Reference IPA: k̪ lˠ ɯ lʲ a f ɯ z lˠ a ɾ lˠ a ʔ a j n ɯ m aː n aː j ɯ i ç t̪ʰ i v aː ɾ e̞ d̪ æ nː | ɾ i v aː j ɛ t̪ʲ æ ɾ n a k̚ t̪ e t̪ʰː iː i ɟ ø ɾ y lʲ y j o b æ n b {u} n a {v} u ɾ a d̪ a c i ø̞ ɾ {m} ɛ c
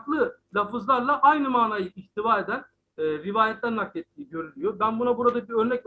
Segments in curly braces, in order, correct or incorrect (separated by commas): correct, incorrect, incorrect